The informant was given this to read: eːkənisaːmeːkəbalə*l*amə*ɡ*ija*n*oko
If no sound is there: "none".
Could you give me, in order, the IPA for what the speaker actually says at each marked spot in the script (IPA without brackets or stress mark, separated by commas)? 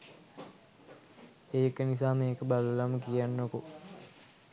l, k, nː